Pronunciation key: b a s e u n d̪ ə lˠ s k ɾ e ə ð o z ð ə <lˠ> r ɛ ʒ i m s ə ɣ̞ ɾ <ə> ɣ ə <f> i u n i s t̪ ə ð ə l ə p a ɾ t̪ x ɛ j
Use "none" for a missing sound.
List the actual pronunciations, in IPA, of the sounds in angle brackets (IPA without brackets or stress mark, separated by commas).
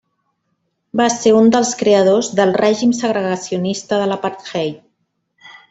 lˠ, ə, s